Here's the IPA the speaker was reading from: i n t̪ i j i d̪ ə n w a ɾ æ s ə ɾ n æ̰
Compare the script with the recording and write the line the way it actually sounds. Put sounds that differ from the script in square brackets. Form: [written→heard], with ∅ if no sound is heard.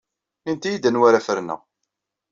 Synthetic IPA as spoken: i n t̪ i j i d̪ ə n w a ɾ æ [s→f] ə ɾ n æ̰